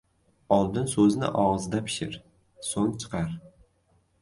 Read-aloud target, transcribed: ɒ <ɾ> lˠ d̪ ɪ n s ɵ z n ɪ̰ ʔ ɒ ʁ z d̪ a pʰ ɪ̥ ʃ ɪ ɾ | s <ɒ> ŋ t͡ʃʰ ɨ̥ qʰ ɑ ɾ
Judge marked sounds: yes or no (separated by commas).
no, no